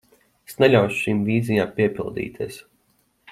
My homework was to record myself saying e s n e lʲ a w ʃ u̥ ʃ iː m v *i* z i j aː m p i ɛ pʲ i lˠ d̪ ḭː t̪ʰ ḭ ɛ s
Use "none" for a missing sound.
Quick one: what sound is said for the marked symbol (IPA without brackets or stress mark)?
iː